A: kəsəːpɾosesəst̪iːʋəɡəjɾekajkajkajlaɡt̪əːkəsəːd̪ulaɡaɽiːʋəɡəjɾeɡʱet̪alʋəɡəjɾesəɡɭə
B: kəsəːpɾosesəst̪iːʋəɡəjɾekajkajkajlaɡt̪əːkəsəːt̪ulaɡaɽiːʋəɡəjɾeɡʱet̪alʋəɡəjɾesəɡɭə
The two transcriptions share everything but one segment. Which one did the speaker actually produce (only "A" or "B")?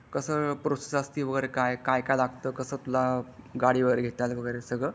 B